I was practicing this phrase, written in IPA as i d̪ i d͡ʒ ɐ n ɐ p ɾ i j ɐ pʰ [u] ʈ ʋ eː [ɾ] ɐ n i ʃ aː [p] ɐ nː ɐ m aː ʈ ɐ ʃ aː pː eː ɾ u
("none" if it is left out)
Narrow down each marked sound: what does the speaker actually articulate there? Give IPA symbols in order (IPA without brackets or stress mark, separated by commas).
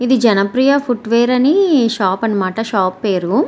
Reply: u, ɾ, p